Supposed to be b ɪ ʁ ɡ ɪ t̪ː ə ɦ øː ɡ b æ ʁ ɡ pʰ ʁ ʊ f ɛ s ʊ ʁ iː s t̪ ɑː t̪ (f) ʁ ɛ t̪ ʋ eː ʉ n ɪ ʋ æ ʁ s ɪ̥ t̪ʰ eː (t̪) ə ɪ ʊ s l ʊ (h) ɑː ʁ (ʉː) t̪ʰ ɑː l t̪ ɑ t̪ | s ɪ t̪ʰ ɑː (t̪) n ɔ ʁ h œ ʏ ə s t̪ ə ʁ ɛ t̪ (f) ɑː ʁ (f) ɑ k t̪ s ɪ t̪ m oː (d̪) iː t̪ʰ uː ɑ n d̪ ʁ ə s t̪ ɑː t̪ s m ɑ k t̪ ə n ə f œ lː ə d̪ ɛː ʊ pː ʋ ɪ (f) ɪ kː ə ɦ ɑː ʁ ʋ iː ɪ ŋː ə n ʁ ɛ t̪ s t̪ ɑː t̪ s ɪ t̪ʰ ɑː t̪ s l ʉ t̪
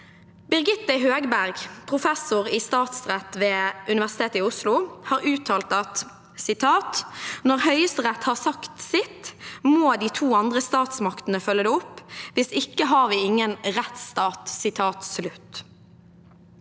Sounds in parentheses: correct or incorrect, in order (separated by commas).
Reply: incorrect, correct, correct, correct, correct, incorrect, incorrect, correct, incorrect